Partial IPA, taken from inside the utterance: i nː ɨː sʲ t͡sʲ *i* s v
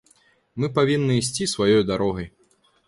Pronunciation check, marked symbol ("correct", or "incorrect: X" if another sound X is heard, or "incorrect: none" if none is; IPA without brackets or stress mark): correct